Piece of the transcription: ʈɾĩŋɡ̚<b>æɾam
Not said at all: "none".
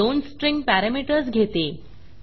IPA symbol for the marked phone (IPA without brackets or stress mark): p